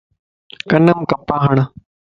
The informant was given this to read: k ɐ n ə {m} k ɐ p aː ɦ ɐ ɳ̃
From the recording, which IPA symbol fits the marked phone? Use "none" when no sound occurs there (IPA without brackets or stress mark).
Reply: m